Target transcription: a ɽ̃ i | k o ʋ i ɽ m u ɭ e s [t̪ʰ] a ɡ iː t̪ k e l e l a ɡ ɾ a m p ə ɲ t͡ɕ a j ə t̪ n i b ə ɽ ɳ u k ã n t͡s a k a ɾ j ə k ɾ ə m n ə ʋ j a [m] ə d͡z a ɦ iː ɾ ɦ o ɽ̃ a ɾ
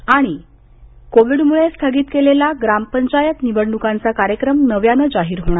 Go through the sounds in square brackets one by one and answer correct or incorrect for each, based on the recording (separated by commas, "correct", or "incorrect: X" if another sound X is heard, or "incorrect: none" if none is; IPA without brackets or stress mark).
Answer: correct, incorrect: n